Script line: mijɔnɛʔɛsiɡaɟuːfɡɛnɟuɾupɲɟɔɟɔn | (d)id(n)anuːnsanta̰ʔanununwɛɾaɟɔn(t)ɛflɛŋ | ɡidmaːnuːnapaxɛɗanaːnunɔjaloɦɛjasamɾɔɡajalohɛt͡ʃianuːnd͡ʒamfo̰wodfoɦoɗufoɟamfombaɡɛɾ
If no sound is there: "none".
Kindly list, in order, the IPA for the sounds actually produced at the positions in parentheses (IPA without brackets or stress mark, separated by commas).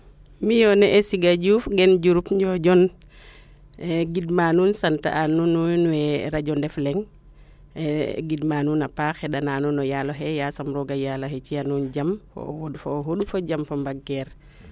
ɡ, m, d